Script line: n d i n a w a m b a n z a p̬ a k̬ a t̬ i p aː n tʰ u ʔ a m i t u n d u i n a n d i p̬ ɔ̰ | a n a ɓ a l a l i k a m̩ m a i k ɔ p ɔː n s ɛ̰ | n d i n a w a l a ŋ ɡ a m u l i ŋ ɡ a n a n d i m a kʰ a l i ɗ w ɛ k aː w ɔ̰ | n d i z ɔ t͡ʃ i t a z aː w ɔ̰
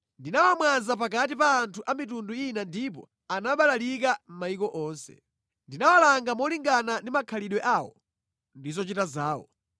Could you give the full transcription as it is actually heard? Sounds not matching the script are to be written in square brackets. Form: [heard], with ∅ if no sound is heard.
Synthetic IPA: n d i n a w a m [w] a n z a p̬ a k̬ a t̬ i p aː n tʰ u ʔ a m i t u n d u i n a n d i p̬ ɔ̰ | a n a ɓ a l a l i k a m̩ m a i k ɔ [ʔ] ɔː n s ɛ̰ | n d i n a w a l a ŋ ɡ a m [ɔ] l i ŋ ɡ a n a n d i m a kʰ a l i ɗ w ɛ [ʔ] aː w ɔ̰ | n d i z ɔ t͡ʃ i t a z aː w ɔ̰